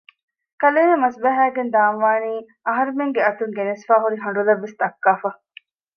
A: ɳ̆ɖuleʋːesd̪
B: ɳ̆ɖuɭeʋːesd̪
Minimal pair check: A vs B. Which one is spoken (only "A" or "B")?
A